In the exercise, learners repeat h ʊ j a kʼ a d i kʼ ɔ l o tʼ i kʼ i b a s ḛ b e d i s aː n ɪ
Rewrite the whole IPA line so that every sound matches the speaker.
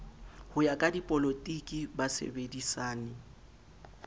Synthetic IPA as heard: h ʊ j a kʼ a d i pʼ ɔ l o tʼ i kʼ i b a s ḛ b e d i s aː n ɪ